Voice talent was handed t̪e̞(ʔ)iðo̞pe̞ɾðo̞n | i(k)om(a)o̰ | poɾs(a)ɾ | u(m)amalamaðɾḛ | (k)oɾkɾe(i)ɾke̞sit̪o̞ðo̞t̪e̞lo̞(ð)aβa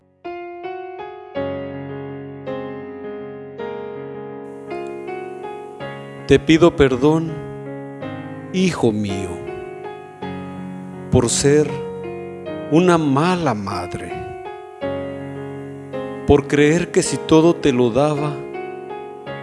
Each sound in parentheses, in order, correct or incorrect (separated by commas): incorrect, incorrect, incorrect, incorrect, incorrect, incorrect, incorrect, correct